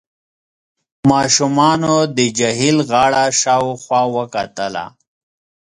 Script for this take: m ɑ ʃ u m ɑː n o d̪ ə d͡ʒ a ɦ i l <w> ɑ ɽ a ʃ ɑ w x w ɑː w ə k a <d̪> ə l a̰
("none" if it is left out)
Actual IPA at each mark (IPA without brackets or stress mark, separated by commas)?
ɣ, t̪